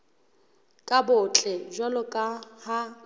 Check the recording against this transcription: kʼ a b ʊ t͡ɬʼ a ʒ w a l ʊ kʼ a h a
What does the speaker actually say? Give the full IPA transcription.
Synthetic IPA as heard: kʼ a b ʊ t͡ɬʼ ɛ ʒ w a l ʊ kʼ a h a

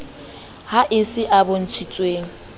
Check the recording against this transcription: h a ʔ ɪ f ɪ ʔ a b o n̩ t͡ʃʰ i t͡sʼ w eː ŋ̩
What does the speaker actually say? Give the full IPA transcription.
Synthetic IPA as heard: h a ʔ ɪ s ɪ ʔ a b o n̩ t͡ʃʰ i t͡sʼ w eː ŋ̩

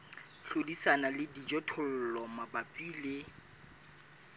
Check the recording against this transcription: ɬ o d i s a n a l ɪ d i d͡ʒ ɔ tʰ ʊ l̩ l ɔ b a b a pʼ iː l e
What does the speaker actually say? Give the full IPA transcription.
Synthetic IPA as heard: ɬ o d i s a n a l ɪ d i d͡ʒ ɔ tʰ ʊ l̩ l ɔ m a b a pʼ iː l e

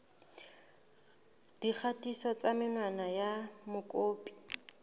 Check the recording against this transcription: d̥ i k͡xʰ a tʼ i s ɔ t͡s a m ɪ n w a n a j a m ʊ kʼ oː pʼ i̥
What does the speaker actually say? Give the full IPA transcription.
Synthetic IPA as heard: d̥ i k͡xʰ a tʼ i s ɔ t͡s a m ɪ n w a n a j a m ʊ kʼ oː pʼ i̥

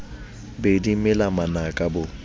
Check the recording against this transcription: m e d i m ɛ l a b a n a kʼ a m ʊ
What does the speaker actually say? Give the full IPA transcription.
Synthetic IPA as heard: b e d i m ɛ l a m a n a kʼ a b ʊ

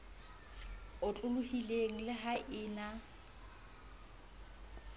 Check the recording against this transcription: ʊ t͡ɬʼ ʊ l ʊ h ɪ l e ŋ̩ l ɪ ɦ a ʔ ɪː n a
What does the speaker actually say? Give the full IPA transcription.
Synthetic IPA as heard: ʊ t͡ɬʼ ʊ l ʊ h i l e ŋ̩ l ɪ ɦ a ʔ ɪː n a

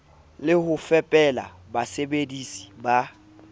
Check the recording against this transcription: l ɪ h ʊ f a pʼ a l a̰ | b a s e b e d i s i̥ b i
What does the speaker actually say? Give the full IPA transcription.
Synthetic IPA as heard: l ɪ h ʊ f ɛ pʼ ɛ l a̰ | b a s e b e d i s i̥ b a

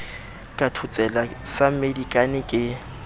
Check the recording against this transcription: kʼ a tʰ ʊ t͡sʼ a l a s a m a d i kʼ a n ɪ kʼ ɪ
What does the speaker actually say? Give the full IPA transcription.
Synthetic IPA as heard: kʼ a tʰ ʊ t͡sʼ ɛ l a s a m e d i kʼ a n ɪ kʼ ɪ

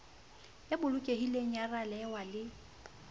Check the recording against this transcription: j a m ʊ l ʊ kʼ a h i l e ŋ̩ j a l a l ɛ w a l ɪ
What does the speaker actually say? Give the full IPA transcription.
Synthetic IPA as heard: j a b ʊ l ʊ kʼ e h i l e ŋ̩ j a r a l ɛ w a l ɪ

